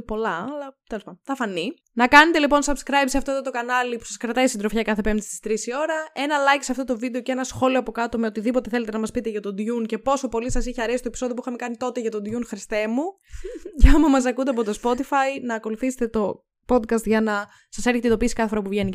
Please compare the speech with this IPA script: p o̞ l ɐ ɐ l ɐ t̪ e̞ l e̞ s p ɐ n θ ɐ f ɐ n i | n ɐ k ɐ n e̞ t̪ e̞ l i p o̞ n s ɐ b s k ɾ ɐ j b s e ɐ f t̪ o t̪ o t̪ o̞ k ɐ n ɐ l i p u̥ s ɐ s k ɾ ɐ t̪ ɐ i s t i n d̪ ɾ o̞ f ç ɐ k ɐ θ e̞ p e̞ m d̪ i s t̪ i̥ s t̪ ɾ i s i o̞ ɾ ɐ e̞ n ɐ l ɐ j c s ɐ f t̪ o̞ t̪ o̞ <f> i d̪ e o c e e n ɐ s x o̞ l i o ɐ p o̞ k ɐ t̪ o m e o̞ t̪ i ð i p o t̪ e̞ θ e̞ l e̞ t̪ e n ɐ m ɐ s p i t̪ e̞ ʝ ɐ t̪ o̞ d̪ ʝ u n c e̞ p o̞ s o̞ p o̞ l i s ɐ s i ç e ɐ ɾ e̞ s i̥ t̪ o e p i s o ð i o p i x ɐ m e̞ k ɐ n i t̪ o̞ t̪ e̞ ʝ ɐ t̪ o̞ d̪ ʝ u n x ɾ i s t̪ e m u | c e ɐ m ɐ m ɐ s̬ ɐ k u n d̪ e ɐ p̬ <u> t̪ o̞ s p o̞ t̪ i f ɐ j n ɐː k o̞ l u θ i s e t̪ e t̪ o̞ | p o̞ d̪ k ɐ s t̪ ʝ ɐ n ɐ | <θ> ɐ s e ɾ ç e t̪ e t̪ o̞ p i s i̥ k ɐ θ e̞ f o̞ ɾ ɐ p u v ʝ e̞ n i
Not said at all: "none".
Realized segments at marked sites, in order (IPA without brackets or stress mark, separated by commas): v, o, s